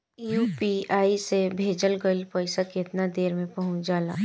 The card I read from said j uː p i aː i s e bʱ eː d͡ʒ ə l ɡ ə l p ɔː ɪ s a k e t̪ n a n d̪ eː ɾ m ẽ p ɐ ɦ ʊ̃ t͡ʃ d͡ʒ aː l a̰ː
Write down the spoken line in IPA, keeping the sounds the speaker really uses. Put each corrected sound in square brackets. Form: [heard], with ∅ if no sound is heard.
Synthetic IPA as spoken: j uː p i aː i s e bʱ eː d͡ʒ ə l ɡ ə l p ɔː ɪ s a k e t̪ n a [∅] d̪ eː ɾ m ẽ p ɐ ɦ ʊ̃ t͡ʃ d͡ʒ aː l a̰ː